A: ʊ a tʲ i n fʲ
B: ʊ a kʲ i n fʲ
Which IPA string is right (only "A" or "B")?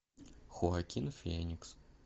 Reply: B